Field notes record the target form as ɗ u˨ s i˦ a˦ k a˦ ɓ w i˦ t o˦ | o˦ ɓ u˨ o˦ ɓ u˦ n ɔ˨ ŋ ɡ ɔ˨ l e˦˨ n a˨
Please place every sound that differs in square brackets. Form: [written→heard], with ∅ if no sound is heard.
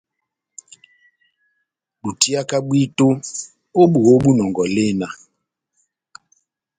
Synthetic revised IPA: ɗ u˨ [s→t] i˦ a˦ k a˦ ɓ w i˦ t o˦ | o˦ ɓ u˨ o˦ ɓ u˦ n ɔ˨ ŋ ɡ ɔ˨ l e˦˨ n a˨